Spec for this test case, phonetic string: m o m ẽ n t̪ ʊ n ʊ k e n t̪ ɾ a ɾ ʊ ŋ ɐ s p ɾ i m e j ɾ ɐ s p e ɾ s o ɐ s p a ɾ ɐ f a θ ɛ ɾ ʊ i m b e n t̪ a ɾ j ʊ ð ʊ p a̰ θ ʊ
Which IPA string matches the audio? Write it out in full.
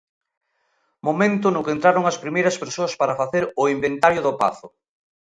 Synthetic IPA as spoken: m o m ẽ n t̪ ʊ n ʊ k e n t̪ ɾ a ɾ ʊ ŋ ɐ s p ɾ i m e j ɾ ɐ s p e ɾ s o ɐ s p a ɾ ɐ f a θ e ɾ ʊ i m b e n t̪ a ɾ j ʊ ð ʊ p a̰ θ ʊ